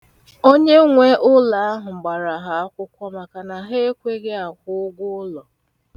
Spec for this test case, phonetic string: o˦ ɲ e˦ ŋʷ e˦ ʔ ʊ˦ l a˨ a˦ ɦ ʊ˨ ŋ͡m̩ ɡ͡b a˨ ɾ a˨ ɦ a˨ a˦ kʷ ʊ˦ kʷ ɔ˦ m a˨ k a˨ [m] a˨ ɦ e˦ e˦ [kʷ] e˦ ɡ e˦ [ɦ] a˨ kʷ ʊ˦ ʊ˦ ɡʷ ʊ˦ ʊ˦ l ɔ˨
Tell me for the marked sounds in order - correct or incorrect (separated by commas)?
incorrect, correct, incorrect